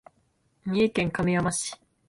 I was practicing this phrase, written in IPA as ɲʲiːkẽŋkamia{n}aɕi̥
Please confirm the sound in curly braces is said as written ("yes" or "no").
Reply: no